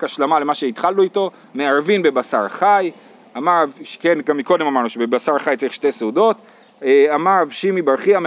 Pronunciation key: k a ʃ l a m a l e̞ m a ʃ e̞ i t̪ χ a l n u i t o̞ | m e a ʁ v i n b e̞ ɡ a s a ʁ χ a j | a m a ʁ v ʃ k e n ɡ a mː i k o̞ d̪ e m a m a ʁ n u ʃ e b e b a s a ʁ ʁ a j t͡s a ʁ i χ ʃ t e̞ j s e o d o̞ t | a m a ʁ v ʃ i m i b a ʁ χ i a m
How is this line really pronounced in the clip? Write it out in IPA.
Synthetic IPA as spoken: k a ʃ l a m a l e̞ m a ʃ e̞ i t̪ χ a l n u i t o̞ | m e a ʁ v i n b e̞ b a s a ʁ χ a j | a m a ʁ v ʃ k e n ɡ a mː i k o̞ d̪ e m a m a ʁ n u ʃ e b e b a s a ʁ χ a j t͡s a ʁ i χ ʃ t e̞ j s e u d o̞ t | a m a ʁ v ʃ i m i b a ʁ χ i a m